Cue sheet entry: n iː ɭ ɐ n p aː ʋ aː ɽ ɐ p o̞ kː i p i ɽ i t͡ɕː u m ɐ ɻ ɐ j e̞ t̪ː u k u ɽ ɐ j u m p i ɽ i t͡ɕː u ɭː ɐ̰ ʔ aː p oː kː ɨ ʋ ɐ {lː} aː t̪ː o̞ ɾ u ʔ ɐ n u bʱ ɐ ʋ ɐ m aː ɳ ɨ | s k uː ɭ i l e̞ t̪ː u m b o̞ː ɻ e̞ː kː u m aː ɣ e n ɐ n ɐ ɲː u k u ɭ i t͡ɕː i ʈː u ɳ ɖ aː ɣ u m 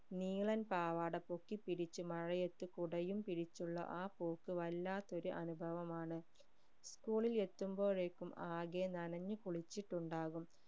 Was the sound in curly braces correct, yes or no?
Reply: yes